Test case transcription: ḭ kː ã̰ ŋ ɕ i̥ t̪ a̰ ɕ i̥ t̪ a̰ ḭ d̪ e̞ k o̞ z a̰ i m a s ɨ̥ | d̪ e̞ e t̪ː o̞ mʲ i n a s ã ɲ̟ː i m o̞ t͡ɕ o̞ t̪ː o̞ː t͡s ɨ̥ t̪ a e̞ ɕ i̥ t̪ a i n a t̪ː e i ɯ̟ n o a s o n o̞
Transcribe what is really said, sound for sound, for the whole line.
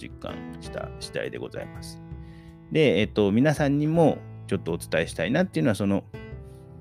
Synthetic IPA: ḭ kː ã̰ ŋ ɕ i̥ t̪ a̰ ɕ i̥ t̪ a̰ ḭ d̪ e̞ ɡ o̞ z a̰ i m a s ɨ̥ | d̪ e̞ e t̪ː o̞ mʲ i n a s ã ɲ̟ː i m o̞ t͡ɕ o̞ t̪ː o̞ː t͡s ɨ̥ t̪ a e̞ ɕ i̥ t̪ a i n a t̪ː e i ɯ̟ n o a s o n o̞